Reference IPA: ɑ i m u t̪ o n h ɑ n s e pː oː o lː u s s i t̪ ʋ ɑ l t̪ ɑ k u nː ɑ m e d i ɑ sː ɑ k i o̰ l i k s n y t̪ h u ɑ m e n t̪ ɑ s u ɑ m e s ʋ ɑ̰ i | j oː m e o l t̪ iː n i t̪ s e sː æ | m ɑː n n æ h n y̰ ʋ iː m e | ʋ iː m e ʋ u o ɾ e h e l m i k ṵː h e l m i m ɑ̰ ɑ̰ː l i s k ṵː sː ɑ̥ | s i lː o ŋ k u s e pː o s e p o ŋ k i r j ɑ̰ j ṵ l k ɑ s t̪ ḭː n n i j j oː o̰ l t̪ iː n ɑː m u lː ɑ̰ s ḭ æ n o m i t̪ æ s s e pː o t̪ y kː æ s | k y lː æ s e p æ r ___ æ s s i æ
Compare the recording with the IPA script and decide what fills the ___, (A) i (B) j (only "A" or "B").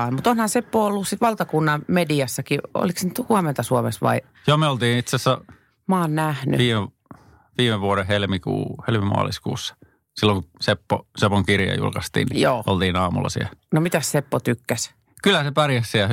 B